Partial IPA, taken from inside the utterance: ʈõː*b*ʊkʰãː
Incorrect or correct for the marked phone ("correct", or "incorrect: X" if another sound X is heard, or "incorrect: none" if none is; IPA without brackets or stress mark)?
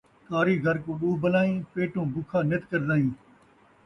correct